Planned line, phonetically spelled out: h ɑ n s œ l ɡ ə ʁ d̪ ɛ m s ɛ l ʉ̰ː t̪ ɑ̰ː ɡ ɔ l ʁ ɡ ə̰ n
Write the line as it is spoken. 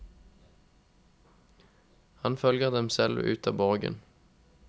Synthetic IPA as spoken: h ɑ n f œ l ɡ ə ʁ d̪ ɛ m s ɛ l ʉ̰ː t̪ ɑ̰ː b ɔ ʁ ɡ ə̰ n